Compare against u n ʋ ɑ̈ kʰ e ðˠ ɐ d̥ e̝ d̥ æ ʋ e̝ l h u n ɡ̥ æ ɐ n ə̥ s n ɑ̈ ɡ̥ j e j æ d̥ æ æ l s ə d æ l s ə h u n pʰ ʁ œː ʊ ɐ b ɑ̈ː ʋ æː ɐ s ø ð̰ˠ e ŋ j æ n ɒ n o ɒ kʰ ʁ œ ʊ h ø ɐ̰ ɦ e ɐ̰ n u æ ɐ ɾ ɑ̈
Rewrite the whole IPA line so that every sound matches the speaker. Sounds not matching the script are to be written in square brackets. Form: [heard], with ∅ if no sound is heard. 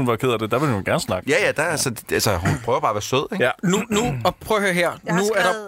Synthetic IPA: u n ʋ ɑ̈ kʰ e ðˠ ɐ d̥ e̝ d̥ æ ʋ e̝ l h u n ɡ̥ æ ɐ n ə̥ s n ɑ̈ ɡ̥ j [æ] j æ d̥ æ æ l s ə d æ l s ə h u n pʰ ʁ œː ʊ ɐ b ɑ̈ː ʋ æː ɐ s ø ð̰ˠ e ŋ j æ n [u] n [u] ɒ [pʰ] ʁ œ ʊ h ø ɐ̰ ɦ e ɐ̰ n u æ ɐ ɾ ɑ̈